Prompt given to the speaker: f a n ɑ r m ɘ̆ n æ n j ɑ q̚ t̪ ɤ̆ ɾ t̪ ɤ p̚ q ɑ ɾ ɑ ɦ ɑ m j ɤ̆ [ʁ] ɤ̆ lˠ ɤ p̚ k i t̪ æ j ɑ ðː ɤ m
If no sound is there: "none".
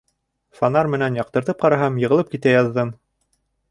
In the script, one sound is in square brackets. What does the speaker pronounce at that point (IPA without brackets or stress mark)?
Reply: ʁ